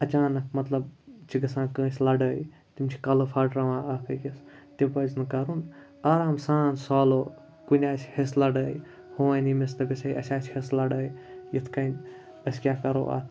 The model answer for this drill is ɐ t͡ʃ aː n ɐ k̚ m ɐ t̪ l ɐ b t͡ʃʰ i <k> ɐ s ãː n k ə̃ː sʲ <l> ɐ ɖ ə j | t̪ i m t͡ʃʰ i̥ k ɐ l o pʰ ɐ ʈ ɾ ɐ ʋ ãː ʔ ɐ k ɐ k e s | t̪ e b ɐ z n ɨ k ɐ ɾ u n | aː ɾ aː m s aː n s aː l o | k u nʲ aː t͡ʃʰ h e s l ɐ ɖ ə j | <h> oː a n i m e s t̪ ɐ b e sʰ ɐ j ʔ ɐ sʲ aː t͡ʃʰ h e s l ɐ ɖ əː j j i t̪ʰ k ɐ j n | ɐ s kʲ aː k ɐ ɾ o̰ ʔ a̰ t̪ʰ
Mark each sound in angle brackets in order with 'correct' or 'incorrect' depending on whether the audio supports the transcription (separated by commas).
incorrect, correct, correct